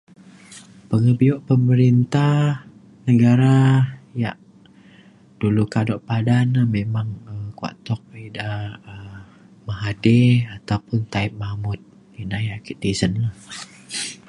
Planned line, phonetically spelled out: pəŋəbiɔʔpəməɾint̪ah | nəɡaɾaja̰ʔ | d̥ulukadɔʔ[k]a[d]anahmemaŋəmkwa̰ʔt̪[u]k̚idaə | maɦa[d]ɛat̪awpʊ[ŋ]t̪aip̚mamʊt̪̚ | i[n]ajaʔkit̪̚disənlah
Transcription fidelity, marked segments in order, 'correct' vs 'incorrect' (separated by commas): incorrect, correct, incorrect, correct, incorrect, correct